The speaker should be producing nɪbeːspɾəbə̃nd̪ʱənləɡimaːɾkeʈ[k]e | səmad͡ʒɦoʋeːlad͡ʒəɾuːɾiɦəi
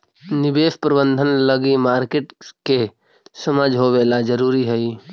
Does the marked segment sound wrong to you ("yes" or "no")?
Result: no